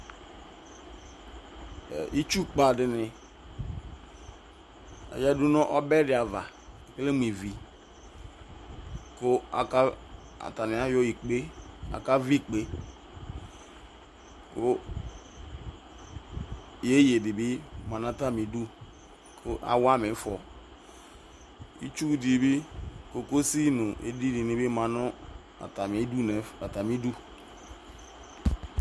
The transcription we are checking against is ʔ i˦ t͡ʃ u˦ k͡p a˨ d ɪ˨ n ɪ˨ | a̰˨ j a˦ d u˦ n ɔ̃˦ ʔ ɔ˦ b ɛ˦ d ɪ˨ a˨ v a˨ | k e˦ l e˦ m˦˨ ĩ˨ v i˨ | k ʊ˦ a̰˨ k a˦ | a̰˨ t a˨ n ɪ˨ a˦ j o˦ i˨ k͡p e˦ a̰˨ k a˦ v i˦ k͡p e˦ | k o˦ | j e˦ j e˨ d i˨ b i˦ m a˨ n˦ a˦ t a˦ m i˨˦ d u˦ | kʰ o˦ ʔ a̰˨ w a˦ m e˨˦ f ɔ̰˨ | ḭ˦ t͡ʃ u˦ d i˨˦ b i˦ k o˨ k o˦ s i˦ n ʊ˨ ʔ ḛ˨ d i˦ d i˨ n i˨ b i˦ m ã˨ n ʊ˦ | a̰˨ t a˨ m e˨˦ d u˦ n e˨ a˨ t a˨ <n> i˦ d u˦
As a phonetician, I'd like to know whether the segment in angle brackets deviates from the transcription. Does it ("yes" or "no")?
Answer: yes